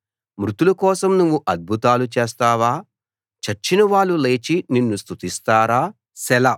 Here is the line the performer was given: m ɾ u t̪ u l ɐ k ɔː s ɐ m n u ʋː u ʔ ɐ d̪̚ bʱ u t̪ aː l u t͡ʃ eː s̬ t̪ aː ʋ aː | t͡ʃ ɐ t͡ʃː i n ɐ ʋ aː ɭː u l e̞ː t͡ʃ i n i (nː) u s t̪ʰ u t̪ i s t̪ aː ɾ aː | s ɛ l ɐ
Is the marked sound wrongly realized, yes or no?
no